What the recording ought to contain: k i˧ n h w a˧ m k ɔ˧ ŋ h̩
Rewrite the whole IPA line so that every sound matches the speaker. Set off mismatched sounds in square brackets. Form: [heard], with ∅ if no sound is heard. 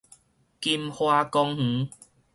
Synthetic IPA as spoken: k i˧ [m] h w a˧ [∅] k ɔ˧ ŋ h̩